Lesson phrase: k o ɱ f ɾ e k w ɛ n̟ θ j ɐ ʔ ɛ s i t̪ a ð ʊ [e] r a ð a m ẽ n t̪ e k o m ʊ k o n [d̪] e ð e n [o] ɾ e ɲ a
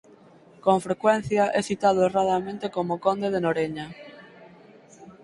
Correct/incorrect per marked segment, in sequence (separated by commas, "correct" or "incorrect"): correct, correct, correct